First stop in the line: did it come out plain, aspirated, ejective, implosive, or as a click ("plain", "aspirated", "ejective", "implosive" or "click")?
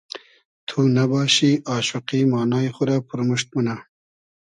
aspirated